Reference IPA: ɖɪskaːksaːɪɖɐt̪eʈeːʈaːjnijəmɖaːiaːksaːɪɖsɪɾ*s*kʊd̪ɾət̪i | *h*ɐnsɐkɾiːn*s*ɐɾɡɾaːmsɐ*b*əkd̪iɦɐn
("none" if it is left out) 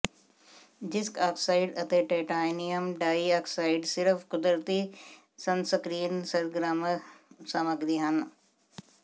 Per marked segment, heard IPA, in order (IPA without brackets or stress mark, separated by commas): f, s, s, m